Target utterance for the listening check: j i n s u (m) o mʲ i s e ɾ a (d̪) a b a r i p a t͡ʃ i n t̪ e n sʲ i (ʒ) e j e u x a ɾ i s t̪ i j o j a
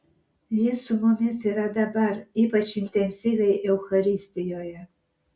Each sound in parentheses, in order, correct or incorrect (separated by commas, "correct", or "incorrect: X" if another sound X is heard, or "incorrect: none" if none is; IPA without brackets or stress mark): correct, correct, incorrect: v